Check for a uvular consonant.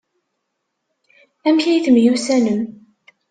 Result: absent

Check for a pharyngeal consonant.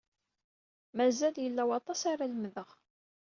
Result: absent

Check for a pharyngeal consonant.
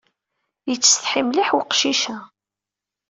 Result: present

